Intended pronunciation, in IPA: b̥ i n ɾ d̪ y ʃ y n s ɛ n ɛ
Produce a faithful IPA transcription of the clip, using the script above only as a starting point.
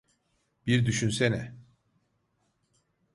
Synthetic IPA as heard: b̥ i ɾ d̪ y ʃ y n s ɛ n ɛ